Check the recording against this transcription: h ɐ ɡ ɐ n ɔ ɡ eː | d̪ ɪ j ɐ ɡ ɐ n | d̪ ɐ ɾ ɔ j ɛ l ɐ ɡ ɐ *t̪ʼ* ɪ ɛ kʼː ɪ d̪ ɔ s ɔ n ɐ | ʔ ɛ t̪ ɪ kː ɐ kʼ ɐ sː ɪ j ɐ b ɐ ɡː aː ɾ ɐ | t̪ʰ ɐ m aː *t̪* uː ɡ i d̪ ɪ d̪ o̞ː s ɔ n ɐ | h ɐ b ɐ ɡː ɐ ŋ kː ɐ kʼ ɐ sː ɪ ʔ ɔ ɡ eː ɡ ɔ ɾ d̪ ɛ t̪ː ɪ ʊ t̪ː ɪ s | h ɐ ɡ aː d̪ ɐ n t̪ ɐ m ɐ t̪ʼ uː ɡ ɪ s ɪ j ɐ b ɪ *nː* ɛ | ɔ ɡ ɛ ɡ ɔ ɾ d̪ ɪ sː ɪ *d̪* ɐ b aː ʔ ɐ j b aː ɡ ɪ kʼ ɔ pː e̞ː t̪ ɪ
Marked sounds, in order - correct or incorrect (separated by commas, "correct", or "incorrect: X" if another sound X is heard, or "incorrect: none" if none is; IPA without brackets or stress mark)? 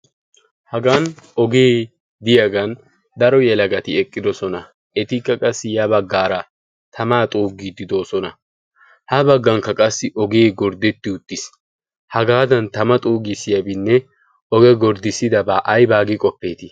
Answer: incorrect: t̪, incorrect: t̪ʼ, correct, correct